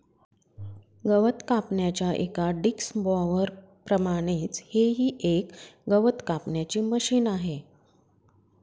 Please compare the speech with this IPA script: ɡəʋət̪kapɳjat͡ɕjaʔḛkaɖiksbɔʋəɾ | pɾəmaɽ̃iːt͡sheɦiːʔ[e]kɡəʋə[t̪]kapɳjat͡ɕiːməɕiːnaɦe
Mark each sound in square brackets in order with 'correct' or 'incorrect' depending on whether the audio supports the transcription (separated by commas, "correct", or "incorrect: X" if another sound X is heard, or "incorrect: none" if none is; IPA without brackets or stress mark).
correct, correct